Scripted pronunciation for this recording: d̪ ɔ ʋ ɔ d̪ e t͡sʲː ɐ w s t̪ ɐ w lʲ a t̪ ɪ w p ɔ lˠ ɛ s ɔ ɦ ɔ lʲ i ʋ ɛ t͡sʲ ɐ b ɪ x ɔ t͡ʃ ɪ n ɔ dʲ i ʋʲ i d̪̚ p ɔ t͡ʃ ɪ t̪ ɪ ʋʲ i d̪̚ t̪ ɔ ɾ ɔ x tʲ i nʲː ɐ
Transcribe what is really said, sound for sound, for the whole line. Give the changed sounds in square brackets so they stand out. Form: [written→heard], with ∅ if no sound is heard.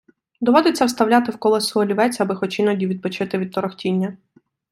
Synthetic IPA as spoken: d̪ ɔ ʋ ɔ d̪ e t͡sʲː ɐ w s t̪ ɐ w lʲ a t̪ ɪ w [p→k] ɔ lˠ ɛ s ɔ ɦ ɔ lʲ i ʋ ɛ t͡sʲ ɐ b ɪ x ɔ t͡ʃ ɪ n ɔ dʲ i ʋʲ i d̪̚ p ɔ t͡ʃ ɪ t̪ ɪ ʋʲ i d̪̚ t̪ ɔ ɾ ɔ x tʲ i nʲː ɐ